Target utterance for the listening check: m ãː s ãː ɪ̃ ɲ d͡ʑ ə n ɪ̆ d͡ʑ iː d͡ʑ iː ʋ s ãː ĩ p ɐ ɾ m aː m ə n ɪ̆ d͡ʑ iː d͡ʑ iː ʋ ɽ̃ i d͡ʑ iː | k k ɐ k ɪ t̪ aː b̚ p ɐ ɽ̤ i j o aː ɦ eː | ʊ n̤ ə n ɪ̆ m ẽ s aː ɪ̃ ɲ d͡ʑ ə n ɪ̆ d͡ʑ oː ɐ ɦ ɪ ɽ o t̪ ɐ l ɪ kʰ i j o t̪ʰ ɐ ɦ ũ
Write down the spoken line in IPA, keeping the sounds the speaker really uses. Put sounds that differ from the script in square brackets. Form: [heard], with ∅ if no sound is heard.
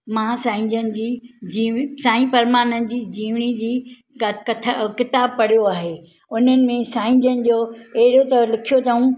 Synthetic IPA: m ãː s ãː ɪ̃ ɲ d͡ʑ ə n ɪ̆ d͡ʑ iː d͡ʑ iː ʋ s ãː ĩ p ɐ ɾ m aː [n] ə n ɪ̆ d͡ʑ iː d͡ʑ iː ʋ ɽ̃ i d͡ʑ iː | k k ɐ k ɪ t̪ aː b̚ p ɐ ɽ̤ i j o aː ɦ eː | ʊ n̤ ə n ɪ̆ m ẽ s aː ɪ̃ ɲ d͡ʑ ə n ɪ̆ d͡ʑ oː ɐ ɦ ɪ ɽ o t̪ ɐ l ɪ kʰ i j o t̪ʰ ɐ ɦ ũ